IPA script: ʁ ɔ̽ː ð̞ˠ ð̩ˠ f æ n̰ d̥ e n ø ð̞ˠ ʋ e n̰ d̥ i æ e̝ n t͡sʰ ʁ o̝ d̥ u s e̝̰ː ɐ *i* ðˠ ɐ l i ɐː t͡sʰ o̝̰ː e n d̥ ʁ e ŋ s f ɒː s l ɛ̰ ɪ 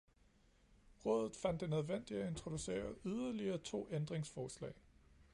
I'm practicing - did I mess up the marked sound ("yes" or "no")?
yes